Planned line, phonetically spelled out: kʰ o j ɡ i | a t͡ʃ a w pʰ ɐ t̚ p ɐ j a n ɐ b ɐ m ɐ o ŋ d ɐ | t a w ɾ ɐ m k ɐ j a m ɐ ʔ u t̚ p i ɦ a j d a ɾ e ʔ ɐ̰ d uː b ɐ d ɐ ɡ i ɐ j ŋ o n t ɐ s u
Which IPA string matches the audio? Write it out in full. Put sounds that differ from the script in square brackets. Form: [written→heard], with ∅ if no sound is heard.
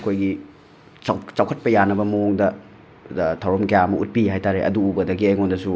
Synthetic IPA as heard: kʰ o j ɡ i | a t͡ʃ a w [pʰ→kʰ] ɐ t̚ p ɐ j a n ɐ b ɐ m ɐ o ŋ d ɐ | [t→tʰ] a w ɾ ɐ m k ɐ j a m ɐ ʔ u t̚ p i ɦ a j [d→t] a ɾ e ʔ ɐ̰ d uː b ɐ d ɐ ɡ i ɐ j ŋ o n [t→d] ɐ s u